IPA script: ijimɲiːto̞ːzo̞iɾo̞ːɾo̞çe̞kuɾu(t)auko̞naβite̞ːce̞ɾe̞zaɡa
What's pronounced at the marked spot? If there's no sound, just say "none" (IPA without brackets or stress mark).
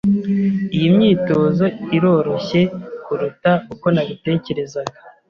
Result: t